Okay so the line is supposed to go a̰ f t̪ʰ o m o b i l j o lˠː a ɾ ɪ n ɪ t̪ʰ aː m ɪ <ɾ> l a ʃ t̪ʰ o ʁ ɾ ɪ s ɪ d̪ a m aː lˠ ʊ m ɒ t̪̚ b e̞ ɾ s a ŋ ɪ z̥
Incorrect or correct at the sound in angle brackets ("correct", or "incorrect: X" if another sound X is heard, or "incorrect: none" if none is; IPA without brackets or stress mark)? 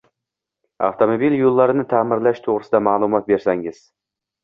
correct